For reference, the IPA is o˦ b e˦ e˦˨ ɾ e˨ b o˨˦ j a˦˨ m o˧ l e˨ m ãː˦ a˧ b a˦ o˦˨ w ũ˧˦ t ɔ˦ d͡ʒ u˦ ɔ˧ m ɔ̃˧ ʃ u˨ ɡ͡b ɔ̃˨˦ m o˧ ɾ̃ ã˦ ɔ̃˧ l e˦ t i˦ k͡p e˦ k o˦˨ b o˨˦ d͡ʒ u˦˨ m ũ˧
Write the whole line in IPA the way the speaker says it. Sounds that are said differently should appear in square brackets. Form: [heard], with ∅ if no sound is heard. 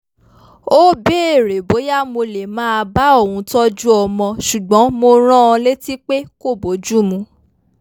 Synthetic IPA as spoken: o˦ b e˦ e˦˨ ɾ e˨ b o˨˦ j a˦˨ m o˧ l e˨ m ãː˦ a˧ b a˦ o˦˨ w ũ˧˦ t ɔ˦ d͡ʒ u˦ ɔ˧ m ɔ̃˧ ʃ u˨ ɡ͡b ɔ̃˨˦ m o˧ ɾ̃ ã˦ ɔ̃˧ l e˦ t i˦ k͡p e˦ k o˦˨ b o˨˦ d͡ʒ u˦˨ m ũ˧